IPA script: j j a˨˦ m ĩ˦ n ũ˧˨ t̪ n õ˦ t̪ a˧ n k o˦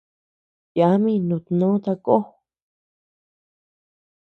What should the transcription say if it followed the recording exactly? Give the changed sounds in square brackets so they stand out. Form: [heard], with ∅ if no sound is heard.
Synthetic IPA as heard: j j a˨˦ m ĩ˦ n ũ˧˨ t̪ n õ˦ t̪ a˧ [∅] k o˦